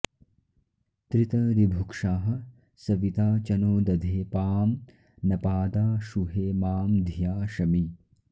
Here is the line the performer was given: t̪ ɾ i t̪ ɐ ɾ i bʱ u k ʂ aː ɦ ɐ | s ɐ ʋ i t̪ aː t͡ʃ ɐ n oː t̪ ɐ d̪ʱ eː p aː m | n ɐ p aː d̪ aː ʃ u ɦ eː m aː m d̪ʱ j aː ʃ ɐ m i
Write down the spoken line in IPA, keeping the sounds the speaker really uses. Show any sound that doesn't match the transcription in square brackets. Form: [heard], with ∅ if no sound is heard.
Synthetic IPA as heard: t̪ ɾ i t̪ ɐ ɾ i bʱ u k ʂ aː ɦ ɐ | s ɐ ʋ i t̪ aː t͡ʃ ɐ n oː [d̪] ɐ d̪ʱ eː p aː m | n ɐ p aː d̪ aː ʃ u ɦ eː m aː m d̪ʱ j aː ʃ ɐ m i